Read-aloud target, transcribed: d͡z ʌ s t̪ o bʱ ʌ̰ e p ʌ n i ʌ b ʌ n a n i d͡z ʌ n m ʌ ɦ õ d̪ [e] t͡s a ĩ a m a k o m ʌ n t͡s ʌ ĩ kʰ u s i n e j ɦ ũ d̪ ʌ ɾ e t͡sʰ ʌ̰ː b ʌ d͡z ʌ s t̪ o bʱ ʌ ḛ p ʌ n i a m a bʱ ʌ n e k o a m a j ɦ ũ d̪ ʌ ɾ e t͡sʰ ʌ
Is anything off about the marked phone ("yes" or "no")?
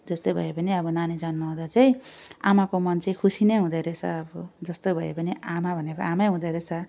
yes